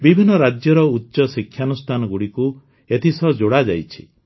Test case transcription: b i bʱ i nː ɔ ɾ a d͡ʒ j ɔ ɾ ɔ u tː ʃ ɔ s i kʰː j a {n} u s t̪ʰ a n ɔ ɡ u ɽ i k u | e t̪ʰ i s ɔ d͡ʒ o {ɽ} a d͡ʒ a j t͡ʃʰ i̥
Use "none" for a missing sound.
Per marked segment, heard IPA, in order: n, ɽ

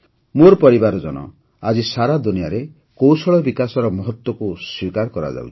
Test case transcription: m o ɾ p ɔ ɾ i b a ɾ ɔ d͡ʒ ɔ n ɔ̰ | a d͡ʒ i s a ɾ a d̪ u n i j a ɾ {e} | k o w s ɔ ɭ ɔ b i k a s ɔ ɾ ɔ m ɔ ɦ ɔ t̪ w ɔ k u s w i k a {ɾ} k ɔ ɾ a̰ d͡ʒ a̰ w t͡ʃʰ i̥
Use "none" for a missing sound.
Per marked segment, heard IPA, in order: e, ɾ

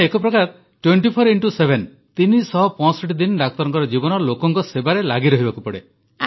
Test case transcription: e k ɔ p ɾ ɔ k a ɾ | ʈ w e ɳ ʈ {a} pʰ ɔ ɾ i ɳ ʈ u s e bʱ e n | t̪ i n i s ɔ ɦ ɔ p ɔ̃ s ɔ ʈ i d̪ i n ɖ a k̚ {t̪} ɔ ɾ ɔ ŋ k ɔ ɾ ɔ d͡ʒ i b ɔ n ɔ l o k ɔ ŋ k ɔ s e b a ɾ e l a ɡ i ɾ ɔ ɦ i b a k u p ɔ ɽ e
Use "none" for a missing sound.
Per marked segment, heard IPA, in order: i, t̪

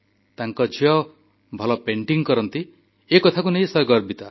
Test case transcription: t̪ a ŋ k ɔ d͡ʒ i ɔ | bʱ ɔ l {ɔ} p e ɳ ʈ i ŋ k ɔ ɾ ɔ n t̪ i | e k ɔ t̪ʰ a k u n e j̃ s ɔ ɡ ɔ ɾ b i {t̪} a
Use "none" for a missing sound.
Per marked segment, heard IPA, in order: ɔ, t̪

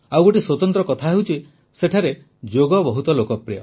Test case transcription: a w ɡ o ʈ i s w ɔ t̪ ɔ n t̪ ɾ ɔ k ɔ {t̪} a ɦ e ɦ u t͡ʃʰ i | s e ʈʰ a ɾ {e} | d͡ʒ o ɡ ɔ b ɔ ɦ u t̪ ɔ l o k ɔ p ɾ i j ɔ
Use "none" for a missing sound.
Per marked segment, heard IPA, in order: t̪ʰ, e

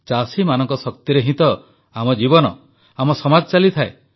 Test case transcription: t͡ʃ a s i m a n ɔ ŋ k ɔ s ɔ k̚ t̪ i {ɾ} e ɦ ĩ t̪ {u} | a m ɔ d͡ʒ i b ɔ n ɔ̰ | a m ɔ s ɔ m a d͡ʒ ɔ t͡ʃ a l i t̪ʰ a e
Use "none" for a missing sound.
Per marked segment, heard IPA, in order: ɾ, ɔ

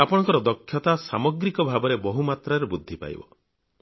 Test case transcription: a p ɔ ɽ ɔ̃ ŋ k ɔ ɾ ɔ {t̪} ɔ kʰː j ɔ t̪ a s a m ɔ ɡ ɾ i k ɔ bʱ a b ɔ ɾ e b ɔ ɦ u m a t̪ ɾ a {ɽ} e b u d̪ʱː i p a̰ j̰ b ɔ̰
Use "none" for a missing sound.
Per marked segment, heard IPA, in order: d̪, ɾ

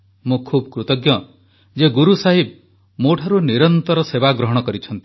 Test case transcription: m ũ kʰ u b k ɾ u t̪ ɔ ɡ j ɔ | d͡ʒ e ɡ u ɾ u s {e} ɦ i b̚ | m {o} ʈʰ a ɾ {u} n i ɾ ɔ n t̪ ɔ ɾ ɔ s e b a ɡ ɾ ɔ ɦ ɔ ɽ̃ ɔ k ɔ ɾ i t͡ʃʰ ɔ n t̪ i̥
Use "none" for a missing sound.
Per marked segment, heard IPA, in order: a, o, u

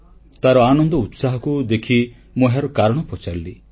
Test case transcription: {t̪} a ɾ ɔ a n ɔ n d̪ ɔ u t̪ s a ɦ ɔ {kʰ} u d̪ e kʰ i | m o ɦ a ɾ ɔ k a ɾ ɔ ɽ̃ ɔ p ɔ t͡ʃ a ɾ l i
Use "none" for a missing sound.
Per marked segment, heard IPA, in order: t̪, k

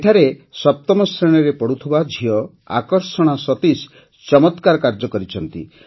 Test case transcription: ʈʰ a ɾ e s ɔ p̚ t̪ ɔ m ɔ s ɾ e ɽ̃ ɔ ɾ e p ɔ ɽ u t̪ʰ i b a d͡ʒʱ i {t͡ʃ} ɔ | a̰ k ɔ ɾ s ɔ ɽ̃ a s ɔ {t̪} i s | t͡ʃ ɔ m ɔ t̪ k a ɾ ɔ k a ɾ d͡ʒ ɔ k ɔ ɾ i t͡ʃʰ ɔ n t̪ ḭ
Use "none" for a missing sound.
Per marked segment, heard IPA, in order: none, t̪

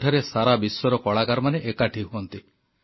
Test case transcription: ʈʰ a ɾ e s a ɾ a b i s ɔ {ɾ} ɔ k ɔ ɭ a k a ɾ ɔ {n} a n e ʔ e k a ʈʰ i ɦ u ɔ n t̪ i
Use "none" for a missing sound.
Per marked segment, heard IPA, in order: ɾ, m

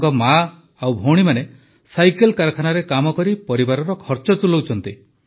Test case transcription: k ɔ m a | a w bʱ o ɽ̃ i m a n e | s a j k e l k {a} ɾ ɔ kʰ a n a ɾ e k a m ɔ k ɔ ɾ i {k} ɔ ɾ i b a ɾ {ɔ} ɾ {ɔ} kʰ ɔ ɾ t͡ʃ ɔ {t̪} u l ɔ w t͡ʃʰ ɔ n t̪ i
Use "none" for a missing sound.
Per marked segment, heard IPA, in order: a, p, ɔ, ɔ, t̪

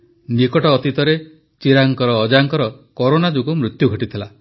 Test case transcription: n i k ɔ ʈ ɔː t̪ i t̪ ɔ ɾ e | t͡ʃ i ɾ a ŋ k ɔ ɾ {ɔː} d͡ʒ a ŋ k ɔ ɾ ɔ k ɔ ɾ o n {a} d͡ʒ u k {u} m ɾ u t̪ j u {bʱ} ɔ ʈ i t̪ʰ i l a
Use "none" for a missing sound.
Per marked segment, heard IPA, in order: ɔː, a, u, ɡʱ

